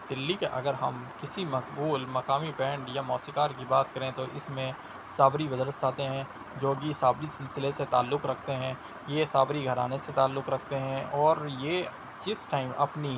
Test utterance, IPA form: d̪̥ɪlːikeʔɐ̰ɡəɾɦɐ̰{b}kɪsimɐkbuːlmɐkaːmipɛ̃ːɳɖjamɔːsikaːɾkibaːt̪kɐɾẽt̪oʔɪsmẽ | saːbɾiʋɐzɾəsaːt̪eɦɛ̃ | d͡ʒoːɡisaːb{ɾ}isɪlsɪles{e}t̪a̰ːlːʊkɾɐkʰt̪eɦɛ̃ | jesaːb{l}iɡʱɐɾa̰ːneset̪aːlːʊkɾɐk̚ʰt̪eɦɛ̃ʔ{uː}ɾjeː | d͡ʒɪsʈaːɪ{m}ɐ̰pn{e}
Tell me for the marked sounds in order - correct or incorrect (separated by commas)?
incorrect, correct, correct, incorrect, incorrect, correct, incorrect